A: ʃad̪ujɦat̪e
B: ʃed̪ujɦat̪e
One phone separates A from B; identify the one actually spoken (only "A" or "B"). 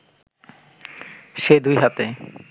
B